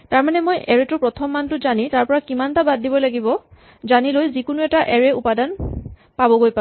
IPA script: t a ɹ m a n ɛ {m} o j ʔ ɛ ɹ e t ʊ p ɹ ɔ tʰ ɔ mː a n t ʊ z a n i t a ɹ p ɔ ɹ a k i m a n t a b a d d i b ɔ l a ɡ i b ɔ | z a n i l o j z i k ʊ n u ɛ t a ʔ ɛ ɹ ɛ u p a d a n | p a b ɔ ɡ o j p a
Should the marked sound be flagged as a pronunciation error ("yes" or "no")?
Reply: no